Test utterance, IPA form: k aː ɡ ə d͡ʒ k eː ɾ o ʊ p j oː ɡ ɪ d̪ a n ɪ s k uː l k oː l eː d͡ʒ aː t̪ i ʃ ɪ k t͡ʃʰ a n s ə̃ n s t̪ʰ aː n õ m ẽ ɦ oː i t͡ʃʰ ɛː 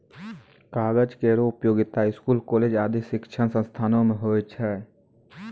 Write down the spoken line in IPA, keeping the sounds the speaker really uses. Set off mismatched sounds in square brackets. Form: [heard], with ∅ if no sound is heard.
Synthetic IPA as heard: k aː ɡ ə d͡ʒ k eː ɾ o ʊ p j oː ɡ ɪ [t̪] a [∅] ɪ s k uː l k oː l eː d͡ʒ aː [d̪] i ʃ ɪ k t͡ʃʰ [ə] n s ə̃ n s t̪ʰ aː n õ m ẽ ɦ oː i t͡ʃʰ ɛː